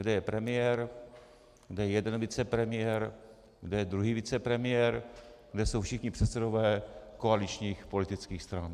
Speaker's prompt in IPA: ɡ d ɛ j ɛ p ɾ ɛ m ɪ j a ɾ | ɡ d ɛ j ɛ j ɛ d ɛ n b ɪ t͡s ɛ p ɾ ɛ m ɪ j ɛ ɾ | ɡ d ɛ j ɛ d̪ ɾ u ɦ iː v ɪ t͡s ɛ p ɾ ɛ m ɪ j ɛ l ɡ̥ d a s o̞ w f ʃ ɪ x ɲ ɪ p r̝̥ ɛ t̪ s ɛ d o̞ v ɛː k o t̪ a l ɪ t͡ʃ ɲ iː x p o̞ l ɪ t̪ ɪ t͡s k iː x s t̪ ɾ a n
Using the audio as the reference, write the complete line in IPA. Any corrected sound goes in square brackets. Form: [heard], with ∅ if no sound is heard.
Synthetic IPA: ɡ d ɛ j ɛ p ɾ ɛ m ɪ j [ɛ] ɾ | ɡ d ɛ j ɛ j ɛ d ɛ n [v] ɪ t͡s ɛ p ɾ ɛ m ɪ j ɛ ɾ | ɡ d ɛ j ɛ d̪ ɾ u ɦ iː v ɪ t͡s ɛ p ɾ ɛ m ɪ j ɛ [ɾ] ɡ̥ d [ɛ] s o̞ w f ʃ ɪ x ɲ ɪ p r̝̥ ɛ t̪ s ɛ d o̞ v ɛː k o [∅] a l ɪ t͡ʃ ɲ iː x p o̞ l ɪ t̪ ɪ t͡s k iː x s t̪ ɾ a n